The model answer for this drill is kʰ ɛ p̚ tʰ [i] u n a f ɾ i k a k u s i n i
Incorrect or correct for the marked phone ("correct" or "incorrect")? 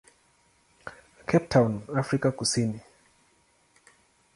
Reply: incorrect